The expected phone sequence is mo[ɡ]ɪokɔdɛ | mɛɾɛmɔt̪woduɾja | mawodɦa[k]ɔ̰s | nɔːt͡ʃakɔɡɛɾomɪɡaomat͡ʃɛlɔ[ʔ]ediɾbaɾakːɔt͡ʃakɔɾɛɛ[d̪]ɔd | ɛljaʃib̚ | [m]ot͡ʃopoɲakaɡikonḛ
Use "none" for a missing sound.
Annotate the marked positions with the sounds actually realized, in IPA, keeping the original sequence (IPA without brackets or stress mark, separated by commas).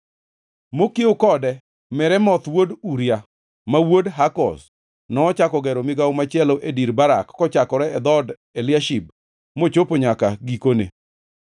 k, k, ʔ, d̪, m